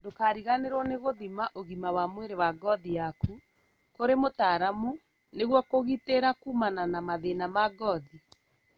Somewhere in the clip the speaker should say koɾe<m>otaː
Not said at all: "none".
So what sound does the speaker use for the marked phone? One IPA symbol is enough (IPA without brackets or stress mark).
m